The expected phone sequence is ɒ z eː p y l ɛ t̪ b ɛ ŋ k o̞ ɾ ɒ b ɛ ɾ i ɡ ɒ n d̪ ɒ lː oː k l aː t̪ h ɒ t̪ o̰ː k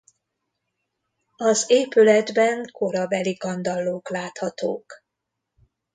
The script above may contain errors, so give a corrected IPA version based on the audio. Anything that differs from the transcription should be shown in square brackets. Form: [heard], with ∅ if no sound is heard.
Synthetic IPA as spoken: ɒ z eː p y l ɛ [d̪] b ɛ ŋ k o̞ ɾ ɒ b ɛ [l] i ɡ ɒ n d̪ ɒ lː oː k l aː t̪ h ɒ t̪ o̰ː k